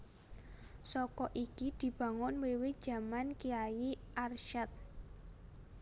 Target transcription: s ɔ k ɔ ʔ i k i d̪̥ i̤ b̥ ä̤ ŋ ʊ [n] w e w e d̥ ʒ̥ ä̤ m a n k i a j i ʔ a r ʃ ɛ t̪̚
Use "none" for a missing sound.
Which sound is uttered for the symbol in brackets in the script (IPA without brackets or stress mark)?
n